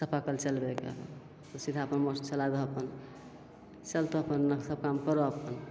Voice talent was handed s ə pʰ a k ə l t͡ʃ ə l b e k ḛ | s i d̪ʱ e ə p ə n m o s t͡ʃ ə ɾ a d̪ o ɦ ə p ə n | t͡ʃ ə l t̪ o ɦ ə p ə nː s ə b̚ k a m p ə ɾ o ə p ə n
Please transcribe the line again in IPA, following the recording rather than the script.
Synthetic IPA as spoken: s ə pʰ a k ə l t͡ʃ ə l b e k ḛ | s i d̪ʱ a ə p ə n m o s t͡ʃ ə l a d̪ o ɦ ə p ə n | t͡ʃ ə l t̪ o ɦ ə p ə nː s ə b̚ k a m k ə ɾ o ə p ə n